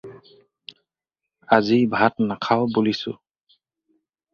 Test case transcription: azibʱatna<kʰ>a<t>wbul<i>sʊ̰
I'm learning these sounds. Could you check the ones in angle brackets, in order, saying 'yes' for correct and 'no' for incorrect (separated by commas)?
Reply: yes, no, yes